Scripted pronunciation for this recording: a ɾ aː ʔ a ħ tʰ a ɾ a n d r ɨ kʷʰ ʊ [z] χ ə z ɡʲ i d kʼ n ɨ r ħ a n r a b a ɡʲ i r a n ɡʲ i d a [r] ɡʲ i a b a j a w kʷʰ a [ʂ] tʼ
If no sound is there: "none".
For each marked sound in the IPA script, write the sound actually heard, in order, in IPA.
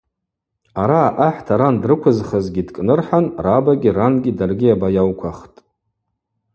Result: z, r, χ

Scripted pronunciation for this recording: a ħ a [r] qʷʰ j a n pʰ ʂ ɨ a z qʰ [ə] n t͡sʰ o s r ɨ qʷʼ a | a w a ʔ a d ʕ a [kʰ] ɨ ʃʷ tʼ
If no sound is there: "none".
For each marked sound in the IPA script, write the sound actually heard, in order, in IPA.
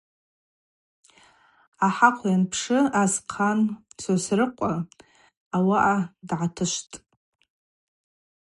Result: none, a, tʰ

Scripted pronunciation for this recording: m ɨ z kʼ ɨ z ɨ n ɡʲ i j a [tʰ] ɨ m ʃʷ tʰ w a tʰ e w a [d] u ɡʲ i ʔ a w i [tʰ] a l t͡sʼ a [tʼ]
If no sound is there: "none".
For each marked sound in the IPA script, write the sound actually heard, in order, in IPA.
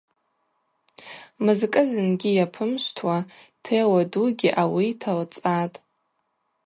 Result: pʰ, d, tʰ, tʼ

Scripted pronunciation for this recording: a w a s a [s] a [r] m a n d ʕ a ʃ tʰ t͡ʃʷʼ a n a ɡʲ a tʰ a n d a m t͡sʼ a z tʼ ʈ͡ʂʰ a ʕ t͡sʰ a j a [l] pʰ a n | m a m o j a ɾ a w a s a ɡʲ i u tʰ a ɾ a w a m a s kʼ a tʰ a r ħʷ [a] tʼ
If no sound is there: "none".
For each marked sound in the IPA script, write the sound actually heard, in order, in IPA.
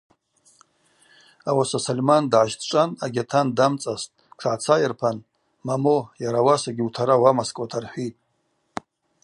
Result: s, l, r, i

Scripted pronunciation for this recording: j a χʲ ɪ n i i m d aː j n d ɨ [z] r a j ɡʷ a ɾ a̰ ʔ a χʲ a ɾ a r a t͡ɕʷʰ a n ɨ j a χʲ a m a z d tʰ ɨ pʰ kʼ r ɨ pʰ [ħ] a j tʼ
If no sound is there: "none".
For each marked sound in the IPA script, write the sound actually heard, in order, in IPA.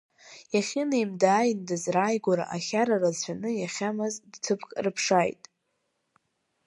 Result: z, ʂ

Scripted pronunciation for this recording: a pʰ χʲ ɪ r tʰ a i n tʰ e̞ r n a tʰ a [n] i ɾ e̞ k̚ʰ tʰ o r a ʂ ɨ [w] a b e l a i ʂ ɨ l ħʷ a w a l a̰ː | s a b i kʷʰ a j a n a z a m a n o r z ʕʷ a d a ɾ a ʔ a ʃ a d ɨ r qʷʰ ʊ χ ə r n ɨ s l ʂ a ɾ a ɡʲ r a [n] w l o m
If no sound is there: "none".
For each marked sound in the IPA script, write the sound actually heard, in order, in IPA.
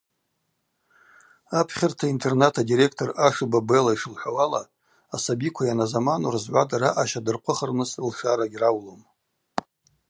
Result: d, b, none

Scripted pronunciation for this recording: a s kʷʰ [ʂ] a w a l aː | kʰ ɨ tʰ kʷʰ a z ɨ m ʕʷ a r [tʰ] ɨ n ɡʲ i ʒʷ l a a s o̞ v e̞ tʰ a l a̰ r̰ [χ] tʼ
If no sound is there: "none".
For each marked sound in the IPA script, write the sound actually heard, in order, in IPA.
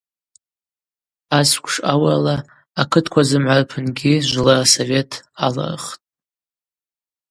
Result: ʂ, pʰ, χ

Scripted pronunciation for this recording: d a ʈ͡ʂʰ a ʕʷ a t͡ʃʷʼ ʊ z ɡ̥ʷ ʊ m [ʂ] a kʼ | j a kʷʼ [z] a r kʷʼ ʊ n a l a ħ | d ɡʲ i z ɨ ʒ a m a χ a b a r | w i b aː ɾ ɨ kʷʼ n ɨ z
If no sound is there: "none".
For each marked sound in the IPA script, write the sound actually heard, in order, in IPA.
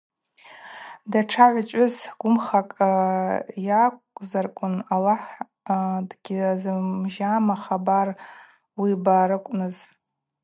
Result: χ, z

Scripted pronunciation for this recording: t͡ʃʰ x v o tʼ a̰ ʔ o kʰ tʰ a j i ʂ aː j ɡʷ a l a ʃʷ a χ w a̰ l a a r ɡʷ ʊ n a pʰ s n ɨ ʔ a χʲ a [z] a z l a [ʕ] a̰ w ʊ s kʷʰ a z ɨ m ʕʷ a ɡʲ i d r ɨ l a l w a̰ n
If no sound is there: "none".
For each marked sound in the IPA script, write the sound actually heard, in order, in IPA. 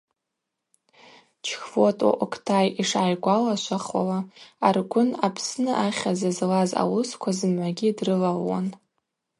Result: z, z

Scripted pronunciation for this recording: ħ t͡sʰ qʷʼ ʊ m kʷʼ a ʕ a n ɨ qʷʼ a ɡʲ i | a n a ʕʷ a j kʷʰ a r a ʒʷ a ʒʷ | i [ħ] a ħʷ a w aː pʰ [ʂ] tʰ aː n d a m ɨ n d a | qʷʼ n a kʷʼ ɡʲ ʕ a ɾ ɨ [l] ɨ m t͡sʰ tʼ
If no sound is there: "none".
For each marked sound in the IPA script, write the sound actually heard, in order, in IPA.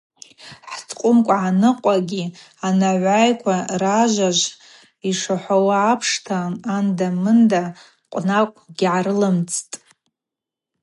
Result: ʂ, ʂ, l

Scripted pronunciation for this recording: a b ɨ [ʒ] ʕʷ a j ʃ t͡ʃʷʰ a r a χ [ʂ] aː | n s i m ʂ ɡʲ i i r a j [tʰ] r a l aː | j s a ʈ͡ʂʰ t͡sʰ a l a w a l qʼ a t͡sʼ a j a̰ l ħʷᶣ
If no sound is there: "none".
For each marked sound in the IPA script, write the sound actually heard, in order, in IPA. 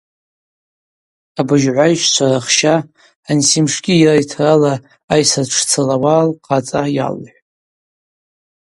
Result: ʒ, ʃ, tʰ

